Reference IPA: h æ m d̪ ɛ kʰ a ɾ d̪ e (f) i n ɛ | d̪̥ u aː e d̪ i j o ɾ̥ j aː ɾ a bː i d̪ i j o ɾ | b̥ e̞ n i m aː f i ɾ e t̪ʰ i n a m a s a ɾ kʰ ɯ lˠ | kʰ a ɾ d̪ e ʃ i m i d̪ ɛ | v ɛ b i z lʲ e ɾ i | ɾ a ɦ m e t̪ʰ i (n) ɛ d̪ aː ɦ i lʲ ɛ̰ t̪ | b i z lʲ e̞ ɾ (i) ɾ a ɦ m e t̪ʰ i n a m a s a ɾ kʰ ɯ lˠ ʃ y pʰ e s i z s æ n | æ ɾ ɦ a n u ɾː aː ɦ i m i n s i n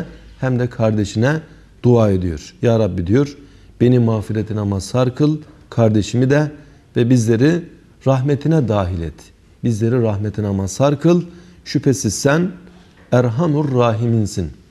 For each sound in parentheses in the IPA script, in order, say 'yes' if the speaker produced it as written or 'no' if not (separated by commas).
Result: no, yes, yes